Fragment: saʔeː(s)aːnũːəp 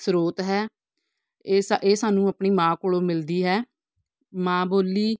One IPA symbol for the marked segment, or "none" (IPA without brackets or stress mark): s